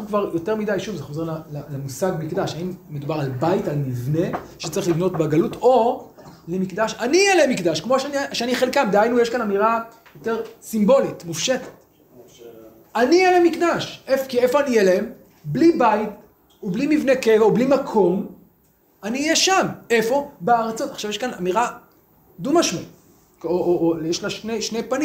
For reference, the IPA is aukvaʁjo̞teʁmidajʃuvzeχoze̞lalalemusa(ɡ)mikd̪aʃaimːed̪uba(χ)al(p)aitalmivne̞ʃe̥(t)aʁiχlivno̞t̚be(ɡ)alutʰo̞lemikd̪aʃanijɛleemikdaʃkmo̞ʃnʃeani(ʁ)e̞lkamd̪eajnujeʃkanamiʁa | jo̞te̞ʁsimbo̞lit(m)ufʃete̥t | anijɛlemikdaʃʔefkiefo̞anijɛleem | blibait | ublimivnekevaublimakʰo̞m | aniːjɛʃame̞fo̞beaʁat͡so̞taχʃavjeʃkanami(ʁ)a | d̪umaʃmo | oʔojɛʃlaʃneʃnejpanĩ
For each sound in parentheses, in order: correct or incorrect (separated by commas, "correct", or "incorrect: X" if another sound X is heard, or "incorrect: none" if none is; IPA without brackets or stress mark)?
correct, incorrect: ʁ, incorrect: b, incorrect: t͡s, correct, incorrect: χ, correct, correct